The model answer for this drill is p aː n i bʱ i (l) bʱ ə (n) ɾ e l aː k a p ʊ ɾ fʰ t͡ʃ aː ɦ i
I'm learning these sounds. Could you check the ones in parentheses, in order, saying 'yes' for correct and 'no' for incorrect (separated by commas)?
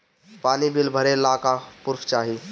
yes, no